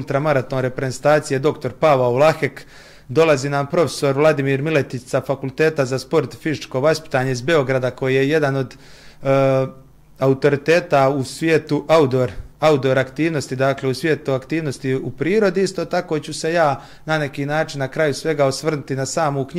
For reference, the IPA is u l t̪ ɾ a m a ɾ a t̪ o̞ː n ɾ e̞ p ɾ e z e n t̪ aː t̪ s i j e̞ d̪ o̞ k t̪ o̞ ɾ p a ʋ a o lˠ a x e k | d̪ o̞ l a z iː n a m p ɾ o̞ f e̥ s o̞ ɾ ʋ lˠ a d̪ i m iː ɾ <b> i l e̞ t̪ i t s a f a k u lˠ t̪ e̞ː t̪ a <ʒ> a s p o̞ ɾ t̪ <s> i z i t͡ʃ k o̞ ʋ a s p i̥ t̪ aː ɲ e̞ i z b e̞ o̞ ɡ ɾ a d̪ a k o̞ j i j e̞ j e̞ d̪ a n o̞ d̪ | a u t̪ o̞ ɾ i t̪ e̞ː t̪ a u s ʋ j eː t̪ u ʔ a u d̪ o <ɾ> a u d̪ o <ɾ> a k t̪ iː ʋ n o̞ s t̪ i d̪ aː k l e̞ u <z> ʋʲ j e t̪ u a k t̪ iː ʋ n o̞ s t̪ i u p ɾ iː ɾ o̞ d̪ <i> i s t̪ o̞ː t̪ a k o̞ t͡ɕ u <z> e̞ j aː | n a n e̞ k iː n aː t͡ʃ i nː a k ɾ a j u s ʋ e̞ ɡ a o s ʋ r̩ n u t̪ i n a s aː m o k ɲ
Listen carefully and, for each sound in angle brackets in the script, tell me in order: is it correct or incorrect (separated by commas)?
incorrect, incorrect, incorrect, correct, correct, incorrect, correct, incorrect